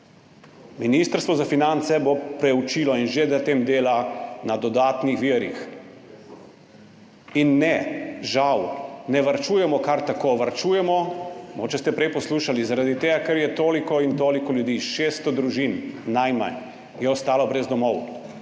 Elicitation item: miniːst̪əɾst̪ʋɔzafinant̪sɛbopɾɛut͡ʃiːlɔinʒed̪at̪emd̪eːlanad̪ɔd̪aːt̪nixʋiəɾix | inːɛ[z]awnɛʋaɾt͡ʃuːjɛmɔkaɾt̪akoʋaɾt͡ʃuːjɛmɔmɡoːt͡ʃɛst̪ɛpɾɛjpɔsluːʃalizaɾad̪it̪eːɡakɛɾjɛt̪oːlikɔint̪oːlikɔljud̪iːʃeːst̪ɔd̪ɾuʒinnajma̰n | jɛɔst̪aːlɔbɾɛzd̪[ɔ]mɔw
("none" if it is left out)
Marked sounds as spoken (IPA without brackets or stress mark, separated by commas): ʒ, ɔ